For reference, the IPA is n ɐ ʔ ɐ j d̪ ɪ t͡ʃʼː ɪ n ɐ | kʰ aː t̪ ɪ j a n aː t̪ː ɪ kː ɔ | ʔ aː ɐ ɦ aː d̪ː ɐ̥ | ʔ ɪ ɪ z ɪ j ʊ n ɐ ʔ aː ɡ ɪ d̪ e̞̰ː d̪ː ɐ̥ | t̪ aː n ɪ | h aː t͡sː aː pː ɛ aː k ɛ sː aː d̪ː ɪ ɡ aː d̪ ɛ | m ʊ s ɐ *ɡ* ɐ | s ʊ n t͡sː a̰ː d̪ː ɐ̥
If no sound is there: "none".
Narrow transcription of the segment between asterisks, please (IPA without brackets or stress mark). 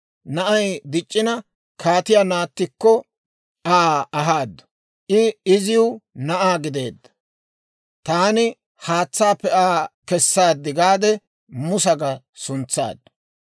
ɡ